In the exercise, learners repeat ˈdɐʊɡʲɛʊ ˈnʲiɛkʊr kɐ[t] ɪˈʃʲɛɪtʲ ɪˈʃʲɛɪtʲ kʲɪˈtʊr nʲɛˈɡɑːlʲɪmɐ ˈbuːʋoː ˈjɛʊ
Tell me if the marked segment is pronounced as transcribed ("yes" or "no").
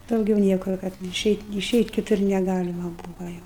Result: yes